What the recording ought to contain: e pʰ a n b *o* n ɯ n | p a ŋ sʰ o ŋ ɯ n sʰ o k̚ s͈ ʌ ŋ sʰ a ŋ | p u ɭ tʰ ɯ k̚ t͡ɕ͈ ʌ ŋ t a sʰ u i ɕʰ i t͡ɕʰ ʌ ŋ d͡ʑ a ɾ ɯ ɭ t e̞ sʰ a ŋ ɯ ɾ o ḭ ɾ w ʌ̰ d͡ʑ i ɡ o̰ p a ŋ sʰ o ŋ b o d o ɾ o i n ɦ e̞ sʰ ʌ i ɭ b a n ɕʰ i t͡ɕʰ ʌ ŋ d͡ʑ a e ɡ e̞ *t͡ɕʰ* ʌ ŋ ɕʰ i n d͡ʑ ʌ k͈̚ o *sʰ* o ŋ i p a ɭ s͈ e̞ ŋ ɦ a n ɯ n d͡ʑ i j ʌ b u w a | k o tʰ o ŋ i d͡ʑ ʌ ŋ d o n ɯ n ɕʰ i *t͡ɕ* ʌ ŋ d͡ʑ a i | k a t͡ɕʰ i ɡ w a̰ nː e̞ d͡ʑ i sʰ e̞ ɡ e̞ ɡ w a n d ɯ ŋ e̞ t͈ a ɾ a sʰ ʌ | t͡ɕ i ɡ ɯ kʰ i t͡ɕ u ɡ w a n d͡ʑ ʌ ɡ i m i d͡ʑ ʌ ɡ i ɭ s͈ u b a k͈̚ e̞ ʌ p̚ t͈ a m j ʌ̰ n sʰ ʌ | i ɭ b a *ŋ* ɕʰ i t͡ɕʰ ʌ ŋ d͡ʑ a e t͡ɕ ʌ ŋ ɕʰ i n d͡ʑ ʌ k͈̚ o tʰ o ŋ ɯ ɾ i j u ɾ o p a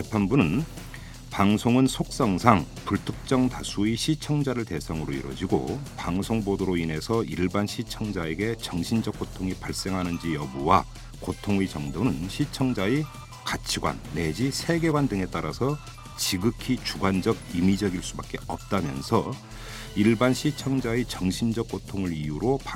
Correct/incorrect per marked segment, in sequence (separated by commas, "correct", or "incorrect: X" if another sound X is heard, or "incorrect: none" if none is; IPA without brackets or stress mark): incorrect: u, incorrect: t͡ɕ, incorrect: tʰ, incorrect: t͡ɕʰ, incorrect: n